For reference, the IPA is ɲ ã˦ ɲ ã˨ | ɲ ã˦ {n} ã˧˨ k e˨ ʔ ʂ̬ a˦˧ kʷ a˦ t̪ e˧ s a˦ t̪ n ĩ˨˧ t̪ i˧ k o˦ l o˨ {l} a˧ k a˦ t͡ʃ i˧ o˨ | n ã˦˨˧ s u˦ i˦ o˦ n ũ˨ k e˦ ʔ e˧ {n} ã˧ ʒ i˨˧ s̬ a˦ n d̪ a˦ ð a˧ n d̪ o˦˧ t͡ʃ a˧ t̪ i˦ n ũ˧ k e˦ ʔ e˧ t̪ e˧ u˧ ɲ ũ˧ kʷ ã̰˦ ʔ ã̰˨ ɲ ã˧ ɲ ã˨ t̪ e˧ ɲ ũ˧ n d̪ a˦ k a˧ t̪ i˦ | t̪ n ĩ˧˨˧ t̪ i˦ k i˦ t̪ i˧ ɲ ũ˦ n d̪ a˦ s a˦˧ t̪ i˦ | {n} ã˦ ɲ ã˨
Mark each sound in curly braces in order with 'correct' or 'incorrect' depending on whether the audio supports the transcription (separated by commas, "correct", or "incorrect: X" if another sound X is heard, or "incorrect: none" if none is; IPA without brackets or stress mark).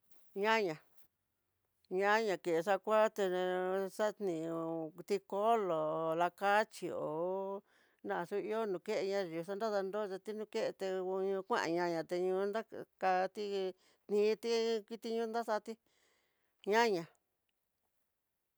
incorrect: ɲ, correct, incorrect: ɲ, incorrect: ɲ